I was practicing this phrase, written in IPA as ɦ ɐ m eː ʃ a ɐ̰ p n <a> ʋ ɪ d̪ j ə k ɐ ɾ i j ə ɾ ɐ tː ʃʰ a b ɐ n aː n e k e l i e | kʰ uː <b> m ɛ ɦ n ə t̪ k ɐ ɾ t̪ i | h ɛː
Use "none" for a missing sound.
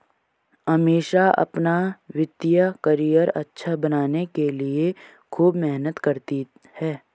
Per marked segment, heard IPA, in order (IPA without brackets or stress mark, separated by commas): a, b